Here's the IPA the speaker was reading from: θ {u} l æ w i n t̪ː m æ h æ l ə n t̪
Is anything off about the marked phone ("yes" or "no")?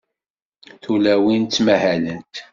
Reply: no